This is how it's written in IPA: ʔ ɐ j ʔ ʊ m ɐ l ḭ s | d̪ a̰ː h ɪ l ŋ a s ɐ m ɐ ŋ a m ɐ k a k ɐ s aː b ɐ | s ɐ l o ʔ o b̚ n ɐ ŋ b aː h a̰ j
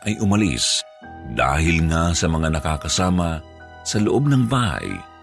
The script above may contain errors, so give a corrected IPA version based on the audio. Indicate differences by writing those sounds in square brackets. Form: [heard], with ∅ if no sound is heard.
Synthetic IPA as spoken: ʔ ɐ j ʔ ʊ m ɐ l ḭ s | d̪ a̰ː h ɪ l ŋ a s ɐ m ɐ ŋ a [n] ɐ k a k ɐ s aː [m] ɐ | s ɐ l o ʔ o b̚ n ɐ ŋ b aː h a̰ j